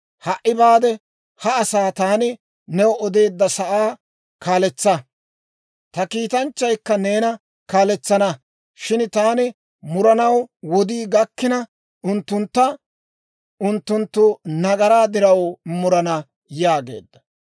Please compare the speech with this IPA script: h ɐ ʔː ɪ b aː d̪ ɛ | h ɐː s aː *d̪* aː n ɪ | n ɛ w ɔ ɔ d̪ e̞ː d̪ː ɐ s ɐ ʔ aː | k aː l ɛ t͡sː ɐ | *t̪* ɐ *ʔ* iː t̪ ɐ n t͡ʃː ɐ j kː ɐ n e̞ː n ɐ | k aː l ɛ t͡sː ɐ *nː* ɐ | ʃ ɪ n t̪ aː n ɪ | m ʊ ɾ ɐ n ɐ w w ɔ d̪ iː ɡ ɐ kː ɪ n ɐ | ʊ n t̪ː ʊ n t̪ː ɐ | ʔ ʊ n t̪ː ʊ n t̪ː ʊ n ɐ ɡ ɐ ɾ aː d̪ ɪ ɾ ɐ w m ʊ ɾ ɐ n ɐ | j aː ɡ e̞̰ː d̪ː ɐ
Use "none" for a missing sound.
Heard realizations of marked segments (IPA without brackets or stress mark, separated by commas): t̪, t̪, k, n